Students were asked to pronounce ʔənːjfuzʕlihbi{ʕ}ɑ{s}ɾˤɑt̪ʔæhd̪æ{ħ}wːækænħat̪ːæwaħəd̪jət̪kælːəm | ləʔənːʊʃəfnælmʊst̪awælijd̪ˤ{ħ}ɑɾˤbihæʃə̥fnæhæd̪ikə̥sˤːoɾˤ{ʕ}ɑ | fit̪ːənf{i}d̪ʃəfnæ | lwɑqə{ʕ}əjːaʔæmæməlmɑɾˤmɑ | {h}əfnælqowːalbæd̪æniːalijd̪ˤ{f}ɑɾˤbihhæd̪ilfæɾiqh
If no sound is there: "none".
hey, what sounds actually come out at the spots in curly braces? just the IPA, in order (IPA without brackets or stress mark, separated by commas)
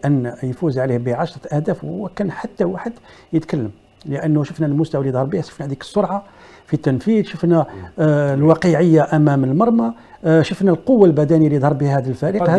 ʕ, ʃ, f, h, ʕ, i, ʕ, ʃ, h